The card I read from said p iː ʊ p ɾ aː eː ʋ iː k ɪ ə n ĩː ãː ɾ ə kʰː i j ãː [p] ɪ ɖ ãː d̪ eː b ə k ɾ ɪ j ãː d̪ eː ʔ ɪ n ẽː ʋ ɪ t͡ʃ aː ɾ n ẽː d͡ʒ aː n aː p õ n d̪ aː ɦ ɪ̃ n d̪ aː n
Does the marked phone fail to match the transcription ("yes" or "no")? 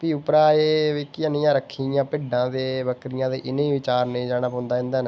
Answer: no